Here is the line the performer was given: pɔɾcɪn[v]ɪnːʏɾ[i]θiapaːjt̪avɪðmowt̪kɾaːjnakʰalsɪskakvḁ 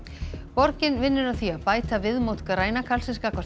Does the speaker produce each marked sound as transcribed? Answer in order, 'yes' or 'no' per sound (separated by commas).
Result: yes, no